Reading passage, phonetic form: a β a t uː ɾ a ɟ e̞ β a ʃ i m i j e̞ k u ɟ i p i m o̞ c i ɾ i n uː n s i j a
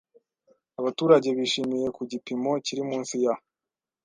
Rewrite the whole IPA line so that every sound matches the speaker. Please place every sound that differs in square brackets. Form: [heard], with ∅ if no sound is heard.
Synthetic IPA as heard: a β a t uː ɾ a ɟ e̞ β [i] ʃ i m i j e̞ k u ɟ i p i m o̞ c i ɾ i [m] uː n s i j a